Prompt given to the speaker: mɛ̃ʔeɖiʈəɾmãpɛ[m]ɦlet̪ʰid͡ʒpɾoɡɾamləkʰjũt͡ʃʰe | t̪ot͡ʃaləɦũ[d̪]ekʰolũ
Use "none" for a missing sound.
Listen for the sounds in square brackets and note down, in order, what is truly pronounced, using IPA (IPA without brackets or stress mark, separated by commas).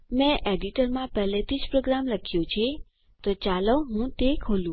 none, t̪